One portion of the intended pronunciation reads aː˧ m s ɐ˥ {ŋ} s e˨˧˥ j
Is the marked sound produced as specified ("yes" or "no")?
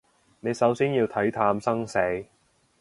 yes